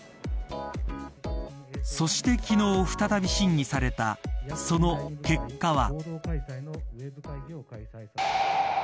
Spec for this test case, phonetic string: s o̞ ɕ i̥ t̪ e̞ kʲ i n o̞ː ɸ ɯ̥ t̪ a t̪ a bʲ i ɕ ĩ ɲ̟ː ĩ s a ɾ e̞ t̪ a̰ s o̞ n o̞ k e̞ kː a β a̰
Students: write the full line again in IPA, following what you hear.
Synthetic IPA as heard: s o̞ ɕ i̥ t̪ e̞ kʲ i n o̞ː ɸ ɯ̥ t̪ a t̪ a bʲ i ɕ ĩ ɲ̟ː i s a ɾ e̞ t̪ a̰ s o̞ n o̞ k e̞ kː a β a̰